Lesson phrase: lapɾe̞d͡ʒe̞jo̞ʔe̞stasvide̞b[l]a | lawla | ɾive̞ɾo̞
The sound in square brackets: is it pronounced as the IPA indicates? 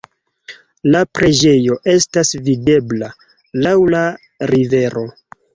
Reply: yes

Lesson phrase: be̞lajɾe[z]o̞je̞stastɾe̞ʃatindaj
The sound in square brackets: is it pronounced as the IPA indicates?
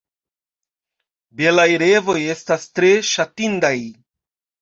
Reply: no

